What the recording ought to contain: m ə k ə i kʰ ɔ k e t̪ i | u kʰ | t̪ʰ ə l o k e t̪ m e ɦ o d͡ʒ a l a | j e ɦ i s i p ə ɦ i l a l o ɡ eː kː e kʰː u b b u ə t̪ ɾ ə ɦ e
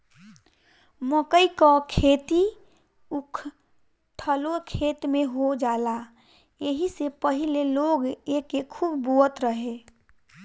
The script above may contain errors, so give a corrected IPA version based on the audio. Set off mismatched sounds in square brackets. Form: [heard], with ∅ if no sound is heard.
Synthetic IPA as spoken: m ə k ə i [k] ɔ [kʰ] e t̪ i | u kʰ | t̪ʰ ə l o [kʰ] e t̪ m e ɦ o d͡ʒ a l a | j e ɦ i s [e] p ə ɦ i l [e] l o ɡ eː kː e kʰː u b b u ə t̪ ɾ ə ɦ e